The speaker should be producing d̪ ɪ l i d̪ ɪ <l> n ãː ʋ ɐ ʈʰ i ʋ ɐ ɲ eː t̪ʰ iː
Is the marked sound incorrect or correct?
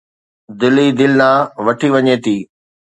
correct